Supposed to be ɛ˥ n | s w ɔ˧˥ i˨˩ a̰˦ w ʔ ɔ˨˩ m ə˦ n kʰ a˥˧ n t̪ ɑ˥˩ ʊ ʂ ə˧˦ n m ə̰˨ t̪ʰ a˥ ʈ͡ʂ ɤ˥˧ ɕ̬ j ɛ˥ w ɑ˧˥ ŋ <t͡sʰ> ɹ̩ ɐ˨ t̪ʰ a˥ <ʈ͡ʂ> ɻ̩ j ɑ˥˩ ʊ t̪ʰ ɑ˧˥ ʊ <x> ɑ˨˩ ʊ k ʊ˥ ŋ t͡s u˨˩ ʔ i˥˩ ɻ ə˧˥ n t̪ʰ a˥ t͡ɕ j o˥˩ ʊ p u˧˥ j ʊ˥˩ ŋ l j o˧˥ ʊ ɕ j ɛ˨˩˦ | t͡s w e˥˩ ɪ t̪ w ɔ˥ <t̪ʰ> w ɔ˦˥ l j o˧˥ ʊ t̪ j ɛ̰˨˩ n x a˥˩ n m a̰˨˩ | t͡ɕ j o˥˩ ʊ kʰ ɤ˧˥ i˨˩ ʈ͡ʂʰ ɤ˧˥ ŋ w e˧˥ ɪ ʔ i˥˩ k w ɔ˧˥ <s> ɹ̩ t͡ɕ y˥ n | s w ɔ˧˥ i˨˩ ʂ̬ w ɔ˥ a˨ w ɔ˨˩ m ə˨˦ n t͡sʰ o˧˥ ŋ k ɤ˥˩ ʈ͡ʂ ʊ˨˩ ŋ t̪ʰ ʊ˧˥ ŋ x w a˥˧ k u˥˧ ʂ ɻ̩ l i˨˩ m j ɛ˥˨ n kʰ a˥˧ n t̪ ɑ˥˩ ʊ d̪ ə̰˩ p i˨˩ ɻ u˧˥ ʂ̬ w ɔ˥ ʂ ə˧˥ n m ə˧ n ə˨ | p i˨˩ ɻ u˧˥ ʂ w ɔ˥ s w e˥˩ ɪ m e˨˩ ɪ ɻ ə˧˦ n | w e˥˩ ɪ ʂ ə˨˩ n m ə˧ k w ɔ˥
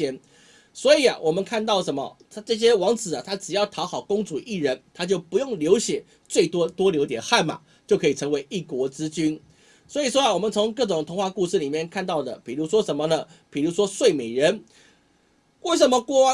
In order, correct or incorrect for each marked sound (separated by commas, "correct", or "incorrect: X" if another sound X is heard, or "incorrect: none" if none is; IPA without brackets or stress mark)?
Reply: incorrect: t͡s, correct, correct, incorrect: t̪, incorrect: t͡s